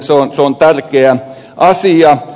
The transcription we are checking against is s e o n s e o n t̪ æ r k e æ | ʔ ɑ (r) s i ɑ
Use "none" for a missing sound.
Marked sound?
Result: none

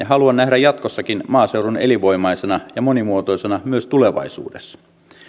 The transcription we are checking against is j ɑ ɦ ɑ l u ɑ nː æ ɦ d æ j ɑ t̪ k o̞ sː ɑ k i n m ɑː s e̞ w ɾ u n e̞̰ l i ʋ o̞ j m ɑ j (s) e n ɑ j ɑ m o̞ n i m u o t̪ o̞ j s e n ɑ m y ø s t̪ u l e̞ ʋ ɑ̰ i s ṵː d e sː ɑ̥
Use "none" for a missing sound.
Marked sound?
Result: s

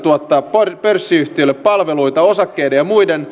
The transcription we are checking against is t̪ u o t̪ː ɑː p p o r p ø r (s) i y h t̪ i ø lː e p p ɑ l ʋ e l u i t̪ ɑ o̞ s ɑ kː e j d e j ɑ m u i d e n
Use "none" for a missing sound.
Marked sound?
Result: sː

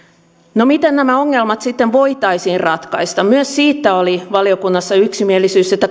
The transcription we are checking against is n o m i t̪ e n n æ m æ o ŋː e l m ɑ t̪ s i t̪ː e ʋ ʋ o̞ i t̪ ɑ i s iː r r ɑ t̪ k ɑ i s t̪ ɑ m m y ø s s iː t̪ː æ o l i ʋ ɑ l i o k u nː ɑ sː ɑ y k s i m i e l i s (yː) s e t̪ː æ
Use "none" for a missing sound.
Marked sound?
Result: yː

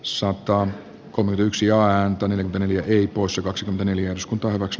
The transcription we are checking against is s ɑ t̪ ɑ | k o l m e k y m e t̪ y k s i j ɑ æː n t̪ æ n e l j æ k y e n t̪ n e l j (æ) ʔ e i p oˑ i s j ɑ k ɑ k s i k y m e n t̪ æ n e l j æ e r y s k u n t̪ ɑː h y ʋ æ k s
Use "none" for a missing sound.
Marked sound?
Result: æ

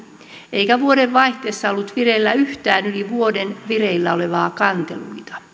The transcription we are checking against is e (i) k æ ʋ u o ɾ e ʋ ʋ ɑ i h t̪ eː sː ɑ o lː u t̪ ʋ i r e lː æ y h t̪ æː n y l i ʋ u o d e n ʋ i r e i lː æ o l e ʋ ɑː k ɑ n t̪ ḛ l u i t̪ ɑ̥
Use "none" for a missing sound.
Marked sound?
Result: i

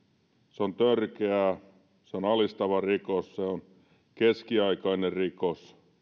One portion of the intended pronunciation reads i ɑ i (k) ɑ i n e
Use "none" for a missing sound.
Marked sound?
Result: k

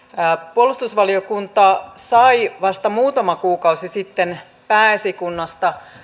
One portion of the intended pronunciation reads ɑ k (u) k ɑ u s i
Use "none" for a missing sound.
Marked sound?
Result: uː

